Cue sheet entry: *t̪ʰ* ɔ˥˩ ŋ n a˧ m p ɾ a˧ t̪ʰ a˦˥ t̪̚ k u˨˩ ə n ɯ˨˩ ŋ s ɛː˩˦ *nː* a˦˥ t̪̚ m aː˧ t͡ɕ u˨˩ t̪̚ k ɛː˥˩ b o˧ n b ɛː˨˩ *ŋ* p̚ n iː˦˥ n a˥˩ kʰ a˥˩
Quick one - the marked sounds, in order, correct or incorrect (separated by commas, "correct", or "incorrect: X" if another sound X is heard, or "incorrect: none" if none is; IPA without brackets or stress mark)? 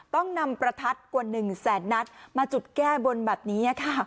incorrect: t̪, correct, incorrect: none